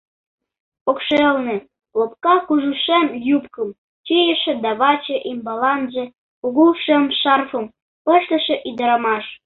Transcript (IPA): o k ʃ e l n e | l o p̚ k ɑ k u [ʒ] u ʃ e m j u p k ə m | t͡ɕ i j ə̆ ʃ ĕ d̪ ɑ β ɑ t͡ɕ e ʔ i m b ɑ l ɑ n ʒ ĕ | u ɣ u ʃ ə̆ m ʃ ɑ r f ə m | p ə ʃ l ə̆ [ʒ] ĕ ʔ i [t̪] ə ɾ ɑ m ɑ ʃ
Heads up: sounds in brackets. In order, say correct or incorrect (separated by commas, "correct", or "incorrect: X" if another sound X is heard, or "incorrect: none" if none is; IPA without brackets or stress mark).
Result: correct, incorrect: ʃ, incorrect: d̪